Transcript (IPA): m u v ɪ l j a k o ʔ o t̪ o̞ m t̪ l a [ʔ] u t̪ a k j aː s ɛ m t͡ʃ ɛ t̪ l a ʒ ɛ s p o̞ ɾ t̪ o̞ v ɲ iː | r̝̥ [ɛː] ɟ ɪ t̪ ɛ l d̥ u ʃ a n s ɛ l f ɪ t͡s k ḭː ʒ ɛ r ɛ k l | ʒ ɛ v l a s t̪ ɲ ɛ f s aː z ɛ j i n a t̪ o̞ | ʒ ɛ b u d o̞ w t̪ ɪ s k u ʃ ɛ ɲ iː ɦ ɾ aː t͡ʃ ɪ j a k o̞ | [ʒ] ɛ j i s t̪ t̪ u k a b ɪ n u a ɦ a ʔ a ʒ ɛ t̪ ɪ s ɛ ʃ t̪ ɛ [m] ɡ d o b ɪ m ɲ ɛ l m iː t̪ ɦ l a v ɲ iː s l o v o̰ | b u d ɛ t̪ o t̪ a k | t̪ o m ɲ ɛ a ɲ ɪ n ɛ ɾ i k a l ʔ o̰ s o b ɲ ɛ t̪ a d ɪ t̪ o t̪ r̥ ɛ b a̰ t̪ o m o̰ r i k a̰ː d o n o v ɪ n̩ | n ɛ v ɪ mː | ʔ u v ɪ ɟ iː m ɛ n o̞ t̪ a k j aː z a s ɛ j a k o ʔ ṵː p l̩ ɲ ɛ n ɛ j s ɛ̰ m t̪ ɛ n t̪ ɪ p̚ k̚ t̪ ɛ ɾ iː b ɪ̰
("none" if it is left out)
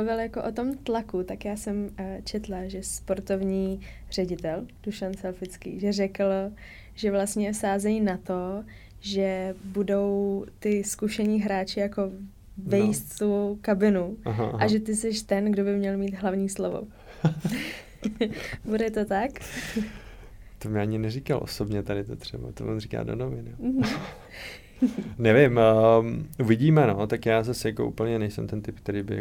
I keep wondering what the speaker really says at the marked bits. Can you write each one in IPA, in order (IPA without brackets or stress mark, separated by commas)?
k, ɛ, v, n